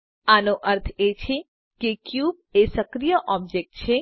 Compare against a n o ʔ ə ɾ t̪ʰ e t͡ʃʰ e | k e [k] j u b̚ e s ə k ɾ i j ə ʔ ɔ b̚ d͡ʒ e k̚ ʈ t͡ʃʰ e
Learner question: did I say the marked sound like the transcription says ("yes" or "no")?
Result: yes